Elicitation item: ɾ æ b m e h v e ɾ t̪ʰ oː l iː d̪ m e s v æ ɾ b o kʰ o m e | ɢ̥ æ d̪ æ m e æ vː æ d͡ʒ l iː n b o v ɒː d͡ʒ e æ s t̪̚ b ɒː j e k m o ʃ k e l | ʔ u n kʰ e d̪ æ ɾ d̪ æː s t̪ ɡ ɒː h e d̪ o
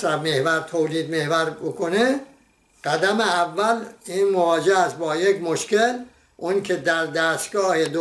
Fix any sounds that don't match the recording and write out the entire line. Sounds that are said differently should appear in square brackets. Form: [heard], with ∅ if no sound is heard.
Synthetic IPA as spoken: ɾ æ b m e h v [æ] ɾ t̪ʰ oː l iː d̪ m e [h] v æ ɾ b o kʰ o [n] e | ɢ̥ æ d̪ æ m e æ vː æ [∅] l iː n [m] o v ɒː d͡ʒ e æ s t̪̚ b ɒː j e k m o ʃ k e l | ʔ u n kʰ e d̪ æ ɾ d̪ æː s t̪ ɡ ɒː h e d̪ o